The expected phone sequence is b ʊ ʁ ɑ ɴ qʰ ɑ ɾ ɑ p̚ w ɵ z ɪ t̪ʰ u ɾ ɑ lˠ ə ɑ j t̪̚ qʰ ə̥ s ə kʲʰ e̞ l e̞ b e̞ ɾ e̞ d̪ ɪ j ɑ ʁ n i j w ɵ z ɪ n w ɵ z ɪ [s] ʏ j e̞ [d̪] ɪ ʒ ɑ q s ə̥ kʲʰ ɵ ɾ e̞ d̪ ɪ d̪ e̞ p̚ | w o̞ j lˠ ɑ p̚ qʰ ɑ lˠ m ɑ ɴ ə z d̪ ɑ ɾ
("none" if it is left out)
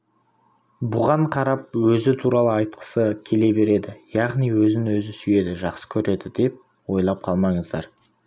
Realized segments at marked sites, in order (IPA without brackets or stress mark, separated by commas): s, d̪